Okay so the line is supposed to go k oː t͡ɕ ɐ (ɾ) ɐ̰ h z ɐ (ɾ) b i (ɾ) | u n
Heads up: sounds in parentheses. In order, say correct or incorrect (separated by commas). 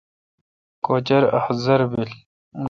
correct, correct, incorrect